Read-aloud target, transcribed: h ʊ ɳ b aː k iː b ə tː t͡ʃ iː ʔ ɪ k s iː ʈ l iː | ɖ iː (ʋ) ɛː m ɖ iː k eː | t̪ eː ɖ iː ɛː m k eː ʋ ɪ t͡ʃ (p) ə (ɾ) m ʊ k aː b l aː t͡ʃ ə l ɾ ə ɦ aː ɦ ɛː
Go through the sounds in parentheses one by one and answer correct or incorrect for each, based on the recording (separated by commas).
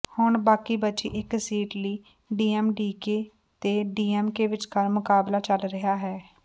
incorrect, incorrect, correct